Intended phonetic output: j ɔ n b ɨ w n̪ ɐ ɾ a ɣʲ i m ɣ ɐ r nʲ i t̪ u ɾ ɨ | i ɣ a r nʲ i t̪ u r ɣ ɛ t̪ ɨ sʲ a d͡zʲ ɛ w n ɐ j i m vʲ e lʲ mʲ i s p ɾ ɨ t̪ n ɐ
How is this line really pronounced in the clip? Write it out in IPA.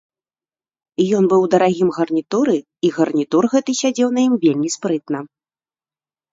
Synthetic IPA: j ɔ n b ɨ w d̪ ɐ ɾ a ɣʲ i m ɣ ɐ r nʲ i t̪ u ɾ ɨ | i ɣ ɐ r nʲ i t̪ u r ɣ ɛ t̪ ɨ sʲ a d͡zʲ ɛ w n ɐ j i m vʲ e lʲ mʲ i s p ɾ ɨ t̪ n ɐ